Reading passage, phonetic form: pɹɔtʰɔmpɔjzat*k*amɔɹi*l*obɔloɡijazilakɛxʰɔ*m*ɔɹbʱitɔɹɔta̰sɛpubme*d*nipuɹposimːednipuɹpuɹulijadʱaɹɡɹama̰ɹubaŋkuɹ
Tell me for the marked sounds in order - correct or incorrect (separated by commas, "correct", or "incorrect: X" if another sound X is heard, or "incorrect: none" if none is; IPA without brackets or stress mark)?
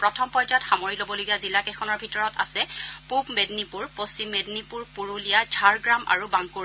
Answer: incorrect: x, correct, incorrect: n, correct